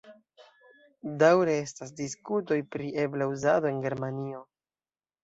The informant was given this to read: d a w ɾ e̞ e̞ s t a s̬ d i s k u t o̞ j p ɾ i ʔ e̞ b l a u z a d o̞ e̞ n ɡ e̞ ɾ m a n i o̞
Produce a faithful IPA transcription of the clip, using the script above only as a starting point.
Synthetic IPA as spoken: d a w ɾ e̞ e̞ s t a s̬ d i s k u t o̞ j p ɾ i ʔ e̞ b l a u z a d o̞ e̞ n ɡ e̞ ɾ m a n i o̞